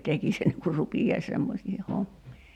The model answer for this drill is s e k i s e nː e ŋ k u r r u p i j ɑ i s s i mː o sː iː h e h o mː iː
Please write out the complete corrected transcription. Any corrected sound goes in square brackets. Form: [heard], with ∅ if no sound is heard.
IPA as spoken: [t] e k i s e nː e ŋ k u r r u p i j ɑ i s s [e] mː o [s] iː h e h o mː iː